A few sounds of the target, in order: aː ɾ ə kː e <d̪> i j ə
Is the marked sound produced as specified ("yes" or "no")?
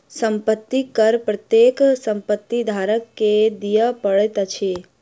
yes